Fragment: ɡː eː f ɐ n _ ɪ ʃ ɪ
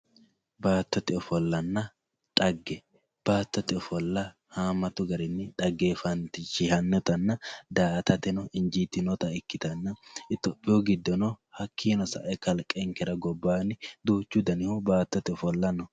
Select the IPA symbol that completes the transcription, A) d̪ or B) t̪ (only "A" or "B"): B